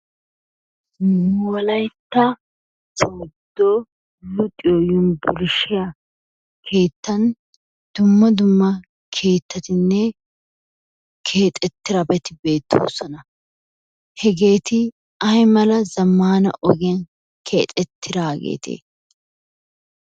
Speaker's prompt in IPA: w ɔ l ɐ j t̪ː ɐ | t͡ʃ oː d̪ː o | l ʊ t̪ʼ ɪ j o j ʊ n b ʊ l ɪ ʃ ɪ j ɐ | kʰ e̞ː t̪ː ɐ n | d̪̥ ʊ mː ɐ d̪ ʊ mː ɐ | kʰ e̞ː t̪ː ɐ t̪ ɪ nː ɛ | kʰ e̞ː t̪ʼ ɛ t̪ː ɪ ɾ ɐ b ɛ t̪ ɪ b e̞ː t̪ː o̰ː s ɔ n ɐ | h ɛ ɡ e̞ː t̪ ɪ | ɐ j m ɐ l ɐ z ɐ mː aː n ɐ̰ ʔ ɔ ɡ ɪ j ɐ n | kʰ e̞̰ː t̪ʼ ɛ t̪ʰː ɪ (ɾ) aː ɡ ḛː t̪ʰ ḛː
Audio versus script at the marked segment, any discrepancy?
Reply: no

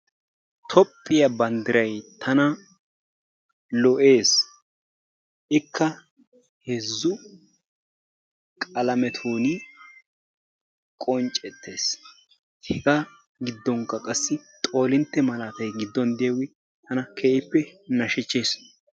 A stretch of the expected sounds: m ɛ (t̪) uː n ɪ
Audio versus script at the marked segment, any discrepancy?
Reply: yes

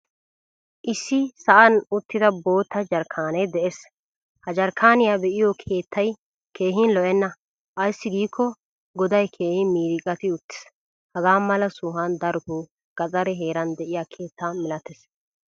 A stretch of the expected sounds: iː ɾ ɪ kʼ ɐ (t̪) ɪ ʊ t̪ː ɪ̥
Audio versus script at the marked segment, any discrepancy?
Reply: no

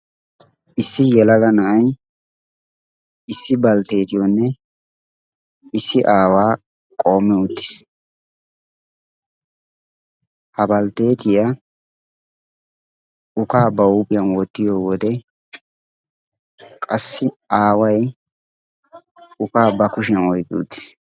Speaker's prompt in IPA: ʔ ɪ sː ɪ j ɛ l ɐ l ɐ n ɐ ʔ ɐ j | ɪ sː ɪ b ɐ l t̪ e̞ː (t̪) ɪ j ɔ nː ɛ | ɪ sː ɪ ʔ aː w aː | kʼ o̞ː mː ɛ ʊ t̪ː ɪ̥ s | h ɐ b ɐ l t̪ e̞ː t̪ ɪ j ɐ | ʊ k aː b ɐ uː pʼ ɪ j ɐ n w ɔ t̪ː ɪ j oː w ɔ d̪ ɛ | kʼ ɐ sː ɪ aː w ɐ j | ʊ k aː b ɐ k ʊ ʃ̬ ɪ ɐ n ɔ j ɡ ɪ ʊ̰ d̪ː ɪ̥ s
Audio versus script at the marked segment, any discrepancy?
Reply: no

